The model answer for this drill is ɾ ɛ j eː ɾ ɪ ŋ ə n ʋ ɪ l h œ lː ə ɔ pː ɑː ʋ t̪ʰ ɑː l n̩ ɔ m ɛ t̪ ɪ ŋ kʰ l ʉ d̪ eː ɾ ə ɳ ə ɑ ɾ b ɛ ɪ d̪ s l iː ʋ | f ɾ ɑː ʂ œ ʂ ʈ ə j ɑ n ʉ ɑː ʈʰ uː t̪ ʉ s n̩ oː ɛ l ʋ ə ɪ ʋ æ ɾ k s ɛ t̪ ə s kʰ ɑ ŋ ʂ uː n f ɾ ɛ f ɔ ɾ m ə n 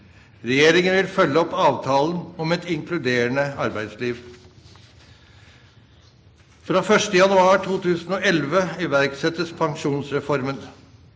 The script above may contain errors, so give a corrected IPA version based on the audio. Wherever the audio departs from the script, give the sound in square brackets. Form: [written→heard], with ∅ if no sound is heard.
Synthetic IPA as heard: ɾ ɛ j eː ɾ ɪ ŋ ə n ʋ ɪ l [h→f] œ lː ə ɔ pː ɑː ʋ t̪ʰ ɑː l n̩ ɔ m ɛ t̪ ɪ ŋ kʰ l ʉ d̪ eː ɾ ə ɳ ə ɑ ɾ b [ɛ→æ] ɪ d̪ s l iː ʋ | f ɾ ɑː [ʂ→f] œ ʂ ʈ ə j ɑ n ʉ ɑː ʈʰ uː t̪ [ʉ→ʉː] s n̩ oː ɛ l ʋ ə ɪ ʋ æ ɾ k s ɛ t̪ ə s [kʰ→pʰ] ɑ ŋ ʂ uː n [f→s] ɾ ɛ f ɔ ɾ m ə n